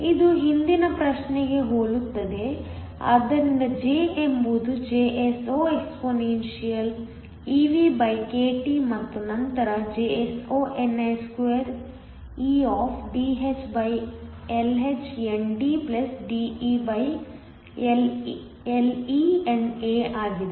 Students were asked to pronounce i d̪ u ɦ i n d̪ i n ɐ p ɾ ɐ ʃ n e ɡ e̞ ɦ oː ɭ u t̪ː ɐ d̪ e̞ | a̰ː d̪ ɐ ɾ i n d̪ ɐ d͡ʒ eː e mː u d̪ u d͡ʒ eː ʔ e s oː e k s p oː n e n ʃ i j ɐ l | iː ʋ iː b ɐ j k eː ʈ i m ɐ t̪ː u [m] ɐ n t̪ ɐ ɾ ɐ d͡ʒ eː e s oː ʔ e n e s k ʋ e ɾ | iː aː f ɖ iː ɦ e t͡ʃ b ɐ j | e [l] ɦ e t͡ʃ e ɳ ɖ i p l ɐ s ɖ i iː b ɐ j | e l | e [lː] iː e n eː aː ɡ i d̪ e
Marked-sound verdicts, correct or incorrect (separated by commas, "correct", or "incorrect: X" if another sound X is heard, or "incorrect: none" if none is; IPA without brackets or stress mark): incorrect: n, correct, incorrect: l